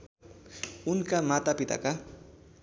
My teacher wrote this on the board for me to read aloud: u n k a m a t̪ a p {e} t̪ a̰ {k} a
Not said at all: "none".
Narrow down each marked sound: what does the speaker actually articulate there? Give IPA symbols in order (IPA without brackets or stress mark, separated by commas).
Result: i, k